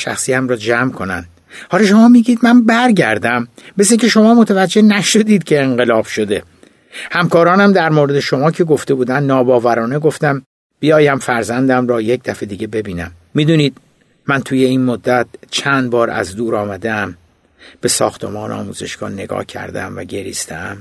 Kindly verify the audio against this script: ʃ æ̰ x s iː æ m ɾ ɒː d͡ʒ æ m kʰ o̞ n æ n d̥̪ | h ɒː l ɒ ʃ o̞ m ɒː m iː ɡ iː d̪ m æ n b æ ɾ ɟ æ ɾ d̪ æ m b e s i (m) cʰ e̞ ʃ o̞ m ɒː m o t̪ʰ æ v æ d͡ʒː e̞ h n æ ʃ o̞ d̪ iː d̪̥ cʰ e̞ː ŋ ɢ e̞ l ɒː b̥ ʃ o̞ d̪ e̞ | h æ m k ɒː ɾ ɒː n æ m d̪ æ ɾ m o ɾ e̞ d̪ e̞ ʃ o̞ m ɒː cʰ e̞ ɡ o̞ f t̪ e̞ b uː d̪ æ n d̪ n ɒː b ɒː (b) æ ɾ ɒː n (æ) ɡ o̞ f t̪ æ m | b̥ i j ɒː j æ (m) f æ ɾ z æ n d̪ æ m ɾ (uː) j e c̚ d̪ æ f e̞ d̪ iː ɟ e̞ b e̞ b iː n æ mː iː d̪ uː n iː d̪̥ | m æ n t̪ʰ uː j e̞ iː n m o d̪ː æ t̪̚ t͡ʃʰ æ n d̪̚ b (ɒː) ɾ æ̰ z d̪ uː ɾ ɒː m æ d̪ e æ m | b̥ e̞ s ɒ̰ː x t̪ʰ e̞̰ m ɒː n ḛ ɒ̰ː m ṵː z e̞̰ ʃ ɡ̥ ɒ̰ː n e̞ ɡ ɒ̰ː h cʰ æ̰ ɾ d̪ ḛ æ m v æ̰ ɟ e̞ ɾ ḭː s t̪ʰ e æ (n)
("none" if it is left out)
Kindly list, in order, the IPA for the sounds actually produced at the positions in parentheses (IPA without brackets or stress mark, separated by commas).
ŋ, v, e, m, ɒː, ɒː, m